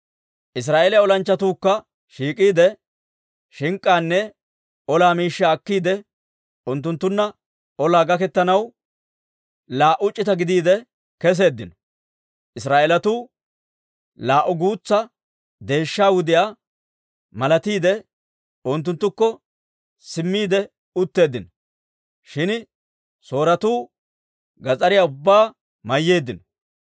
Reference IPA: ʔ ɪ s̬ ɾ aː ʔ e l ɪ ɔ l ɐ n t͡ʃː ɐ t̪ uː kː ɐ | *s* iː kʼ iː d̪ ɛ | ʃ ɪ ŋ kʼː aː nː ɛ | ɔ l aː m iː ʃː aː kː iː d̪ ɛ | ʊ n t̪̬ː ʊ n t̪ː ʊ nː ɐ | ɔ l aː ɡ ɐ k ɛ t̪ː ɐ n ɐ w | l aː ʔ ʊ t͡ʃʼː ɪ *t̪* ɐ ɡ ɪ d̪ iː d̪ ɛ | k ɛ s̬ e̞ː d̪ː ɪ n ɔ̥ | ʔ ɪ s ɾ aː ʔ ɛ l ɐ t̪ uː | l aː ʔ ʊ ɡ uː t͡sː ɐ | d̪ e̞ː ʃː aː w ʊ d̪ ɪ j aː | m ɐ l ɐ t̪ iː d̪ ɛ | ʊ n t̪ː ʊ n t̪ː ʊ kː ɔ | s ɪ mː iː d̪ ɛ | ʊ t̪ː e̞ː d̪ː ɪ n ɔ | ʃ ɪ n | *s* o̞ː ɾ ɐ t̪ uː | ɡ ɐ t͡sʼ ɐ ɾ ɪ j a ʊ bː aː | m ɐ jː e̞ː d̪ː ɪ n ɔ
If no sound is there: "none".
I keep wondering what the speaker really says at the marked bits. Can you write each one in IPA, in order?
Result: ʃ, t̪, s

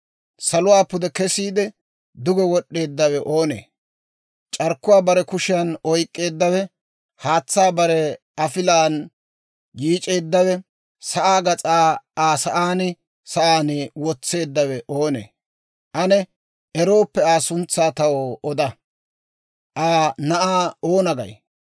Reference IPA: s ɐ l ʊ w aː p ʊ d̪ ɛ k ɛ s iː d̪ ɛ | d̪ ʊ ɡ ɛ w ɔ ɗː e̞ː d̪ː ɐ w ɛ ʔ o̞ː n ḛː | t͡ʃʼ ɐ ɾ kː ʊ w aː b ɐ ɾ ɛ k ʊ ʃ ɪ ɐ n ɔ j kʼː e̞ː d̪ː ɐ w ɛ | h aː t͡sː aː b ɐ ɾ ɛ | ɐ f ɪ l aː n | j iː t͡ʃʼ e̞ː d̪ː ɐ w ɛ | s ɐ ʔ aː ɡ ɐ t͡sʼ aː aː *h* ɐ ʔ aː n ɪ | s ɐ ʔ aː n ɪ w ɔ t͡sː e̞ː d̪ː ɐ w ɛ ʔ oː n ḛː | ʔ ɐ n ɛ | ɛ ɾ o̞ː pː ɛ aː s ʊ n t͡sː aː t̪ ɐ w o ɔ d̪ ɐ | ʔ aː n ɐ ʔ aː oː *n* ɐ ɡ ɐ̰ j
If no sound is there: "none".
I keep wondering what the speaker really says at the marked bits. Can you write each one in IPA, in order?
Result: s, n

